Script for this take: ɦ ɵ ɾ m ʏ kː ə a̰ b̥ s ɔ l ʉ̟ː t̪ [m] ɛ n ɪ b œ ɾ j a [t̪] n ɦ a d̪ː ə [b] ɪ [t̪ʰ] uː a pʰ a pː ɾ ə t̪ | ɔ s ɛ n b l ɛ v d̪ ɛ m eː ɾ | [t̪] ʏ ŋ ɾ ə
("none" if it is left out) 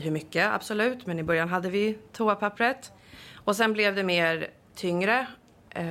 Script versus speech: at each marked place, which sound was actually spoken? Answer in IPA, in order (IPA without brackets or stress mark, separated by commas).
m, none, v, t̪ʰ, t̪ʰ